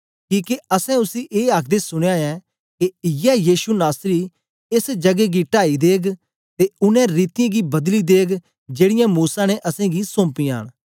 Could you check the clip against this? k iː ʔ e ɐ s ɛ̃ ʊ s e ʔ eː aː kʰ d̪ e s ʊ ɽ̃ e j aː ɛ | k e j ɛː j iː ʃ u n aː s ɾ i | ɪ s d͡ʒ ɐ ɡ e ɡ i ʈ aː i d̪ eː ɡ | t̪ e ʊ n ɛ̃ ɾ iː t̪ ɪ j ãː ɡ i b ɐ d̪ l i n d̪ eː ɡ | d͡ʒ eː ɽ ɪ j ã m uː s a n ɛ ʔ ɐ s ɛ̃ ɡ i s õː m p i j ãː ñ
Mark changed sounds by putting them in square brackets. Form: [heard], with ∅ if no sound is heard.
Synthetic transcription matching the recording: k iː [k] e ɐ s ɛ̃ ʊ s [i] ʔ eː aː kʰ d̪ e s ʊ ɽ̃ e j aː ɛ | k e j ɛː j iː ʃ u n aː s ɾ i | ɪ s d͡ʒ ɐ ɡ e ɡ i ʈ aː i d̪ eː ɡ | t̪ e ʊ n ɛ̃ ɾ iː t̪ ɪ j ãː ɡ i b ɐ d̪ l i [∅] d̪ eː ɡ | d͡ʒ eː ɽ ɪ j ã m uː s a n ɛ ʔ ɐ s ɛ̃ ɡ i s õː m p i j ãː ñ